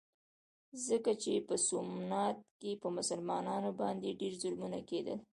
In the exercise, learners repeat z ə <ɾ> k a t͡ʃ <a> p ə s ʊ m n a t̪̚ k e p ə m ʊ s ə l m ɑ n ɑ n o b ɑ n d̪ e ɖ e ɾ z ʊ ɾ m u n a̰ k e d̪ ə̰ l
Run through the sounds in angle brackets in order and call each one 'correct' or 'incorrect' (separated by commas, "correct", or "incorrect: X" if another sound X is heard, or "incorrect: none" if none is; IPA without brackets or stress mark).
incorrect: none, incorrect: e